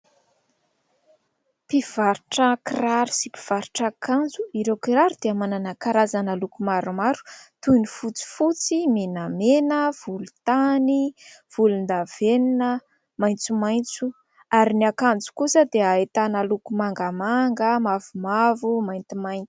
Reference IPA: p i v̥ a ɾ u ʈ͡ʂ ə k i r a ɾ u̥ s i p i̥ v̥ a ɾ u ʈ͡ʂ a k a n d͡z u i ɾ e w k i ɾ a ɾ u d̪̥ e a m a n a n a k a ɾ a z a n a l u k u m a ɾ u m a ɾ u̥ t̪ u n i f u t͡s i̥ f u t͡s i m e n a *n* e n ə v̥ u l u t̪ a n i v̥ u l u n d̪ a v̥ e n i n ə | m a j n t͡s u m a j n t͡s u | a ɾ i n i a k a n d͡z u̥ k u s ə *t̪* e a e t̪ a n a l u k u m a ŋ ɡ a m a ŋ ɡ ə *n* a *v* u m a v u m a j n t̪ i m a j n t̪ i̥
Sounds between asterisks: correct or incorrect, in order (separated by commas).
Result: incorrect, incorrect, incorrect, correct